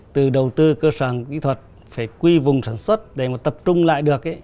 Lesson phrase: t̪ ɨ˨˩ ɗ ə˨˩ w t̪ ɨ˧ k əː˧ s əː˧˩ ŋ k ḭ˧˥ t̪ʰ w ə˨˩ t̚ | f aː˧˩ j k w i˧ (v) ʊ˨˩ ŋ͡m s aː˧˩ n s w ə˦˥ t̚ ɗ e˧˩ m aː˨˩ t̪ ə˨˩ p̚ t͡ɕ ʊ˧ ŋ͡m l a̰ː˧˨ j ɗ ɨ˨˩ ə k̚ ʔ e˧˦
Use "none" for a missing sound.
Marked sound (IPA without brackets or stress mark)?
v